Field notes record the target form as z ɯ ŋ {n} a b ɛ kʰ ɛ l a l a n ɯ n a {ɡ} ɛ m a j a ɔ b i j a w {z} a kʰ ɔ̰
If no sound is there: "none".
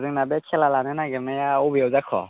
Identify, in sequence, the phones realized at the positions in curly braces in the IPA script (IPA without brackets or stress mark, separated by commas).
n, ɡ, z